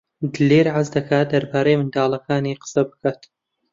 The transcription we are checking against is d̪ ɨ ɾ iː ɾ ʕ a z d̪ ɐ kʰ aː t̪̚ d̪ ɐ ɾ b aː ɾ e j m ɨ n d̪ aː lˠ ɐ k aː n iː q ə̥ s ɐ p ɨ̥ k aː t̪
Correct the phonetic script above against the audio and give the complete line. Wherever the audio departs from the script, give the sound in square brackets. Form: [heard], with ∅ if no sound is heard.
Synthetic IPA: d̪ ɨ [l] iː ɾ ʕ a z d̪ ɐ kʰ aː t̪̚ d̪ ɐ ɾ b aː ɾ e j m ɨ n d̪ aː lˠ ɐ k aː n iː q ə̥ s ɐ [b] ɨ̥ k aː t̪